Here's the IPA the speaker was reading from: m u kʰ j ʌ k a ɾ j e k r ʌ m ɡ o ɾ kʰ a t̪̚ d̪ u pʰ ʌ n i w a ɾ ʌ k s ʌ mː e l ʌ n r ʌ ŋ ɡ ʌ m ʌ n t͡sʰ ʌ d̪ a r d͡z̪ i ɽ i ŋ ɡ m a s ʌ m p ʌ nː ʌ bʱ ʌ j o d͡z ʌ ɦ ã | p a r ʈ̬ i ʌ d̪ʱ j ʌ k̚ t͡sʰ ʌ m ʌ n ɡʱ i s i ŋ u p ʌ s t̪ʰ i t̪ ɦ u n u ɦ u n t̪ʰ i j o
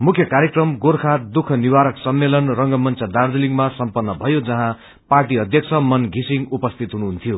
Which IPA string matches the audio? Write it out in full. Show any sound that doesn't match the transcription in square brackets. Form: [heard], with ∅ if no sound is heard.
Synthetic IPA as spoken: m u kʰ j ʌ k a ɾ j e k r ʌ m ɡ o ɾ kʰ a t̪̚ d̪ u [kʰ] ʌ n i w a ɾ ʌ k s ʌ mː e l ʌ n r ʌ ŋ ɡ ʌ m ʌ n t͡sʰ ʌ d̪ a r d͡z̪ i [l] i ŋ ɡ m a s ʌ m p ʌ nː ʌ bʱ ʌ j o d͡z ʌ ɦ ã | p a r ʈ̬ i ʌ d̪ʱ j ʌ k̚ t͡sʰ ʌ m ʌ n ɡʱ i s i ŋ u p ʌ s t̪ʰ i t̪ ɦ u n u ɦ u n t̪ʰ i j o